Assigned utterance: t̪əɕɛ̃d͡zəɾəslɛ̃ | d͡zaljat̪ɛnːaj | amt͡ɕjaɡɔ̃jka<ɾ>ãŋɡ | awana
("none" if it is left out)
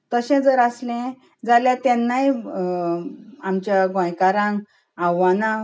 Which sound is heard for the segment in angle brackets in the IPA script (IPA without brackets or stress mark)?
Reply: ɾ